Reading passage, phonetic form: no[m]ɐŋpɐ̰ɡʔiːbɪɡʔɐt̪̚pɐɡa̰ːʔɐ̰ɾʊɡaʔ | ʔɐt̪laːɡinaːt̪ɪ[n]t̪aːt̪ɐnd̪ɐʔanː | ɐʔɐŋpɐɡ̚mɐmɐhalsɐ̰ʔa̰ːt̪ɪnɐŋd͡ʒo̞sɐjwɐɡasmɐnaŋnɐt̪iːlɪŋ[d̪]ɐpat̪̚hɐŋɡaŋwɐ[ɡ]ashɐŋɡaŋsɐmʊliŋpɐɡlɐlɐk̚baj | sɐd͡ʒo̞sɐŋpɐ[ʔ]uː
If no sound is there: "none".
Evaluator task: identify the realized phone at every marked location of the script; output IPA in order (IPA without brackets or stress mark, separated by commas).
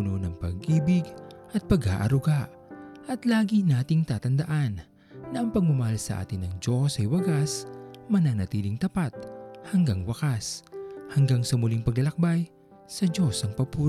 n, ŋ, t̪, k, p